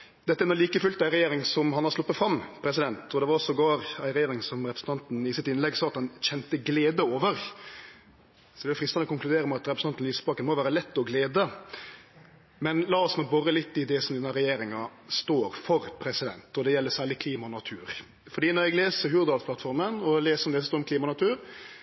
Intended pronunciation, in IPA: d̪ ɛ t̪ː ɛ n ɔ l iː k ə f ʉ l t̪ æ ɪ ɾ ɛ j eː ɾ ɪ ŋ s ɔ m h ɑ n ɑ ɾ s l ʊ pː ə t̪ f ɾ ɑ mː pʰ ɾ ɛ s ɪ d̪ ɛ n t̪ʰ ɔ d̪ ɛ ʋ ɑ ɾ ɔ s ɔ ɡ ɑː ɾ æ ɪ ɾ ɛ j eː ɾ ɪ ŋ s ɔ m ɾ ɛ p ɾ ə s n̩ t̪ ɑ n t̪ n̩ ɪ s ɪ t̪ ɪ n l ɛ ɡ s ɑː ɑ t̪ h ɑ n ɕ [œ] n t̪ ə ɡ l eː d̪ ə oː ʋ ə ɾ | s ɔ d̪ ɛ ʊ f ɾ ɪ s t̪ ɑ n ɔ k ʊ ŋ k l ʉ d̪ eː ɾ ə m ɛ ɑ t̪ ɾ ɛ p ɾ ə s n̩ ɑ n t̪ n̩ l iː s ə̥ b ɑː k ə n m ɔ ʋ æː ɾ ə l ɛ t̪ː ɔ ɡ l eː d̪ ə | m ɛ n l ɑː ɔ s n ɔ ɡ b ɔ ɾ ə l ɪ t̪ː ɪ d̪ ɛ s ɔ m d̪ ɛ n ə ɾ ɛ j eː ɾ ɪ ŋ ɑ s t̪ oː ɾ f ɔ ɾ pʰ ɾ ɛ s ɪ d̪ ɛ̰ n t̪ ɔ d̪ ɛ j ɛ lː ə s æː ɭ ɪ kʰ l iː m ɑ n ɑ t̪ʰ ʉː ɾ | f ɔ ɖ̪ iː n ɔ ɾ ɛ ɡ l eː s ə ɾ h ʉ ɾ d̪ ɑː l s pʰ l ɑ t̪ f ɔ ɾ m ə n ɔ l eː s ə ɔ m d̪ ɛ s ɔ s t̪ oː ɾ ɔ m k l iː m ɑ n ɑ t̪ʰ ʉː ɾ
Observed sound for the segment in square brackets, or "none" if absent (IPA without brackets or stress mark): ɛ